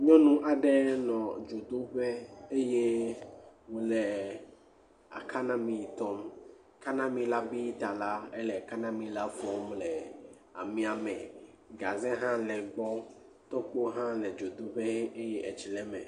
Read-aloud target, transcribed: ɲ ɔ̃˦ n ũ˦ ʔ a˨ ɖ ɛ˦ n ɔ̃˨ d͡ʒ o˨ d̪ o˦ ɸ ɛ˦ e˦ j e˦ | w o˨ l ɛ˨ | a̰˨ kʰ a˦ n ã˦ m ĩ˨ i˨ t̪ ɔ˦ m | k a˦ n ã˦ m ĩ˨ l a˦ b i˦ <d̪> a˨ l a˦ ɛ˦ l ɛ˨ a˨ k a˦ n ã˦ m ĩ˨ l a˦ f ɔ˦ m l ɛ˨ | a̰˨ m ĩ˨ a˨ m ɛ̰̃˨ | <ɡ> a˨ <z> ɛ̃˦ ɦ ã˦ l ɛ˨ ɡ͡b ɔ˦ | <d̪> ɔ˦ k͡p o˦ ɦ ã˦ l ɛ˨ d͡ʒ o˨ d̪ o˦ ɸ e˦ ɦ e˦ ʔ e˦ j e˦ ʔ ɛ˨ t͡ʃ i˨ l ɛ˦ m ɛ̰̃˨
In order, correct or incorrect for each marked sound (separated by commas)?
incorrect, correct, correct, incorrect